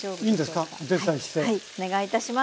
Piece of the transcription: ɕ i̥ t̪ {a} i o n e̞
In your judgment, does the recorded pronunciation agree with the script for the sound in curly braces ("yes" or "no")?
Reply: no